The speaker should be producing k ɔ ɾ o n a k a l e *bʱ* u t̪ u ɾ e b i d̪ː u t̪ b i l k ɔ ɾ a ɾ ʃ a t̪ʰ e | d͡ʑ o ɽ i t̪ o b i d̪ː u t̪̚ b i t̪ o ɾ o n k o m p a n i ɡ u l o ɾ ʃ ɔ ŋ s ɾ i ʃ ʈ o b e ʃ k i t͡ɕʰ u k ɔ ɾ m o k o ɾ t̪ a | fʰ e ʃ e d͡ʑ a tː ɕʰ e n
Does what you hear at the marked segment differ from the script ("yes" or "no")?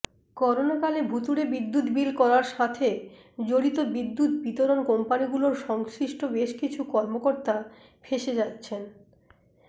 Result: no